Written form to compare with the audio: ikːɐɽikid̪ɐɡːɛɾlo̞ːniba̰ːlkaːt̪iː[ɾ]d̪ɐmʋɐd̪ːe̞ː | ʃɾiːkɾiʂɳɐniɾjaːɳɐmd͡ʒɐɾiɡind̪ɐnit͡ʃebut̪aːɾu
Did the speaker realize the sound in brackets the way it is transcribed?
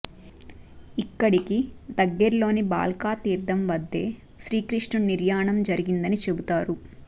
yes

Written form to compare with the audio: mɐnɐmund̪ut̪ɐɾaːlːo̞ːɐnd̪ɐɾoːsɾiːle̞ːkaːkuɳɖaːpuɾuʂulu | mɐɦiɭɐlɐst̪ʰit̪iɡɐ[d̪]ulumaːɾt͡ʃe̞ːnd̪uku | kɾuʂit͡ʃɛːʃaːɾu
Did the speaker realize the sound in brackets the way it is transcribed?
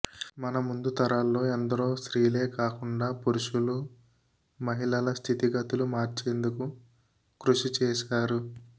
no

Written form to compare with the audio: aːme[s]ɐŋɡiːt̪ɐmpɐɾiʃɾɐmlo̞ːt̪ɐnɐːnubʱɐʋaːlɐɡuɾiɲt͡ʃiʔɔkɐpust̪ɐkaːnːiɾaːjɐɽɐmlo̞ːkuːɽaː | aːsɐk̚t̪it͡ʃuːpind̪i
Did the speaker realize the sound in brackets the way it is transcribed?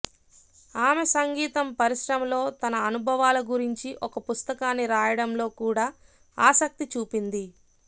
yes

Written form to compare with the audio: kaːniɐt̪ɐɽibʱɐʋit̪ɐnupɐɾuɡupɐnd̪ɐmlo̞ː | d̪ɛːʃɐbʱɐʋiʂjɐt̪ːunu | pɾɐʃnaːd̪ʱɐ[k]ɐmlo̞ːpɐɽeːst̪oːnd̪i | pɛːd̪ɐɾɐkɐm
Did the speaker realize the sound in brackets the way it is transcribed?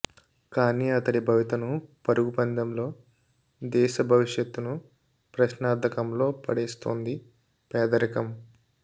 yes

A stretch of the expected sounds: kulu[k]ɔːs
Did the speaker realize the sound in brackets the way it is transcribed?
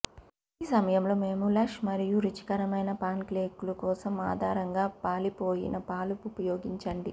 yes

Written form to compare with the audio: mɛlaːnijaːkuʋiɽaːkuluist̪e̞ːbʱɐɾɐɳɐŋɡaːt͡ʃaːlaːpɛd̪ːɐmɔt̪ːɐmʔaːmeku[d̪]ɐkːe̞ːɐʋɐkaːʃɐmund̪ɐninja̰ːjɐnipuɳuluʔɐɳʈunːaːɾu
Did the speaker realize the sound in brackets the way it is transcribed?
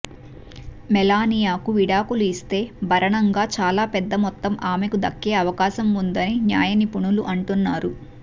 yes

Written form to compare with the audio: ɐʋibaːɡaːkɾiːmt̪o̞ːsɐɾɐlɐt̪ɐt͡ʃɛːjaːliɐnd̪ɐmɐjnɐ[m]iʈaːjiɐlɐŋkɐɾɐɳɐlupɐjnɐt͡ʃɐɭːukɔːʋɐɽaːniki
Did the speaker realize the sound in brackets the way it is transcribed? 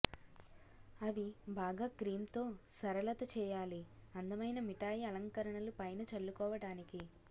yes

